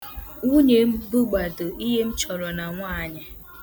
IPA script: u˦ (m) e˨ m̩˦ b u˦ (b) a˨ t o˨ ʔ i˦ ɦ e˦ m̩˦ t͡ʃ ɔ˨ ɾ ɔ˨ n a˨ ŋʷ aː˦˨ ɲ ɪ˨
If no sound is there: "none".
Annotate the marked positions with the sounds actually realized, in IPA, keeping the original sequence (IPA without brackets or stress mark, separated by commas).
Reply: ɲ, ɡ͡b